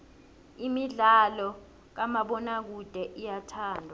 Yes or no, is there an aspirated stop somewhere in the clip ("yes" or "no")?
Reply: yes